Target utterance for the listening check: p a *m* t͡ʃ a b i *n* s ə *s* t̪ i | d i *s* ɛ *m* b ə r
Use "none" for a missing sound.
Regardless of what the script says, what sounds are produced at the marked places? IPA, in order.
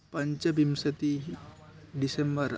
ɲ, m, none, s, m

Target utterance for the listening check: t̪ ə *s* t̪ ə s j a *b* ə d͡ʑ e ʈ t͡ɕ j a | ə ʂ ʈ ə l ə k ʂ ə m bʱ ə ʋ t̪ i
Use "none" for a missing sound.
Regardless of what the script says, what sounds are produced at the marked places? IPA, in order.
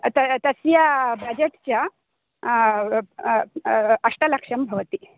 none, b

